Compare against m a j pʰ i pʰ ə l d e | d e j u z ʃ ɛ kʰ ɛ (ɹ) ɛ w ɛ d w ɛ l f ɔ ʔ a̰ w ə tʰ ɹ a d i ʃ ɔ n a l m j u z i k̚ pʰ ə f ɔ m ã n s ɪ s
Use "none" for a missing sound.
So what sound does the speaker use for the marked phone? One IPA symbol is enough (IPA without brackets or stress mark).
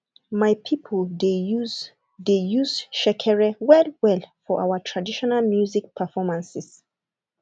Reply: ɹ